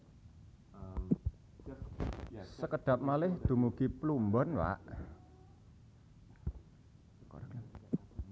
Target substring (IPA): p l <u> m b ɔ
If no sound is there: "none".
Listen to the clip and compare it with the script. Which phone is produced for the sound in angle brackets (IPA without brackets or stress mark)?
u